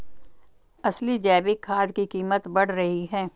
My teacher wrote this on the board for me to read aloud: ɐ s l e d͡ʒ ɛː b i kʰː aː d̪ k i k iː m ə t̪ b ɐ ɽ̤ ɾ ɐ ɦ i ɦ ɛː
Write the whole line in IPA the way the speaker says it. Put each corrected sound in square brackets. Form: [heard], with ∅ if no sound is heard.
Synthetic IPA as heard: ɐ s l [i] d͡ʒ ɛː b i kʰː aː d̪ k i k iː m ə t̪ b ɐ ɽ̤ ɾ ɐ ɦ i ɦ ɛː